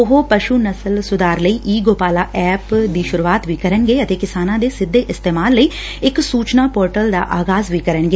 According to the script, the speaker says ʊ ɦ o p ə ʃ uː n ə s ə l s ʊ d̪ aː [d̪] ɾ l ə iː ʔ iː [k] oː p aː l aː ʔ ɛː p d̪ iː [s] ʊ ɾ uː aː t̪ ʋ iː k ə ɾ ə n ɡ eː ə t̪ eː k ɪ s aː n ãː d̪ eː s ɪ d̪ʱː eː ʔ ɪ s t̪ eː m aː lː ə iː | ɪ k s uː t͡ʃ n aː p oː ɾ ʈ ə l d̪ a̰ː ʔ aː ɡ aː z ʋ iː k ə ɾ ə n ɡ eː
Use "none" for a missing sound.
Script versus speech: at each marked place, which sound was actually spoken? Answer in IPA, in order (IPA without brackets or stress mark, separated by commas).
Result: none, ɡ, ʃ